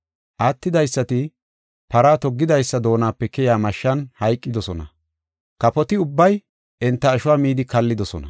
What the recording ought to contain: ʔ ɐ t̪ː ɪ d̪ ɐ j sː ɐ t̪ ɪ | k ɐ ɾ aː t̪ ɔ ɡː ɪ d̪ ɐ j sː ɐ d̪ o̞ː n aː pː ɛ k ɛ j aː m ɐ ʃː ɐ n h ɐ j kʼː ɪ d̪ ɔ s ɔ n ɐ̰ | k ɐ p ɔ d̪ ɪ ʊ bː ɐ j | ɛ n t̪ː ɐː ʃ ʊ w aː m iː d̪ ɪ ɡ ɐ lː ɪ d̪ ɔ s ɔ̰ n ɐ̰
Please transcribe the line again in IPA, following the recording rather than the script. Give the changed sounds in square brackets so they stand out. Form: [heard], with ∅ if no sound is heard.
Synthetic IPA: ʔ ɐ t̪ː ɪ d̪ ɐ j sː ɐ t̪ ɪ | [p] ɐ ɾ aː t̪ ɔ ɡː ɪ d̪ ɐ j sː ɐ d̪ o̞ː n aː pː ɛ k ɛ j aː m ɐ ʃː ɐ n h ɐ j kʼː ɪ d̪ ɔ s ɔ n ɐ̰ | k ɐ p ɔ [t̪] ɪ ʊ bː ɐ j | ɛ n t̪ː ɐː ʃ ʊ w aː m iː d̪ ɪ [k] ɐ lː ɪ d̪ ɔ s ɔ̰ n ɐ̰